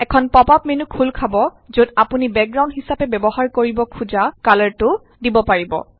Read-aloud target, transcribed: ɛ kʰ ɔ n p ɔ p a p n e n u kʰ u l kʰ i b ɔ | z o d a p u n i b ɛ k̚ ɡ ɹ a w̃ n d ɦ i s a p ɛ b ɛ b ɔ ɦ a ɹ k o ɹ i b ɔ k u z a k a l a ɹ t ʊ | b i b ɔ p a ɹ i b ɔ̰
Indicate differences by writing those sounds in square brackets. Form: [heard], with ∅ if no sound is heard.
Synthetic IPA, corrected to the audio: ɛ kʰ ɔ n p ɔ p a p [m] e n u kʰ u l kʰ [a] b ɔ | z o d a p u n i b ɛ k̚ ɡ ɹ a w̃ n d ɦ i s a p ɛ b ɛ b ɔ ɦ a ɹ k o ɹ i b ɔ [kʰ] u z a k a l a ɹ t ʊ | [d] i b ɔ p a ɹ i b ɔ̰